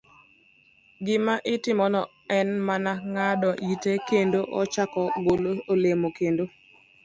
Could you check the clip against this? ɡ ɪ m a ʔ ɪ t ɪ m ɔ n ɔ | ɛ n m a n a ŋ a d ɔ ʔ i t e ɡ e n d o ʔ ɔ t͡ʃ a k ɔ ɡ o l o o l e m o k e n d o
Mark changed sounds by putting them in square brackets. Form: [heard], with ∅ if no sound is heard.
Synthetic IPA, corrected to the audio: ɡ ɪ m a ʔ ɪ t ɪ m ɔ n ɔ | ɛ n m a n a ŋ a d ɔ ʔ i t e [k] e n d o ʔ ɔ t͡ʃ a k ɔ ɡ o l o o l e m o k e n d o